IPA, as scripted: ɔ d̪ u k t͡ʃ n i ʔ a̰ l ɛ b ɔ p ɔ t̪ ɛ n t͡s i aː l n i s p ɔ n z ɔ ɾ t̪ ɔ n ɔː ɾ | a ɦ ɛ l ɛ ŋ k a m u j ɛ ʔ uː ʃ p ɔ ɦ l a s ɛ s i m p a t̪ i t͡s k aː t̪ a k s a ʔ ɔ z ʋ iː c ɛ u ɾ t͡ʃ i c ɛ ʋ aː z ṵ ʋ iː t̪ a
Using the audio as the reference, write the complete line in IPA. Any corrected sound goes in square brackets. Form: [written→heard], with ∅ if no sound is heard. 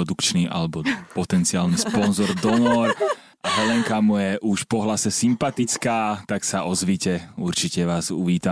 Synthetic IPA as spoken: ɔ d̪ u k t͡ʃ n i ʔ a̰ l ɛ b ɔ p ɔ t̪ ɛ n t͡s i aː l n i s p ɔ n z ɔ ɾ [t̪→d̪] ɔ n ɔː ɾ | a ɦ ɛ l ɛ ŋ k a m u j ɛ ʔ [uː→u] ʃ p ɔ ɦ l a s ɛ s i m p a t̪ i t͡s k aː t̪ a k s a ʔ ɔ z ʋ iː c ɛ u ɾ t͡ʃ i c ɛ ʋ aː z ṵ ʋ iː t̪ a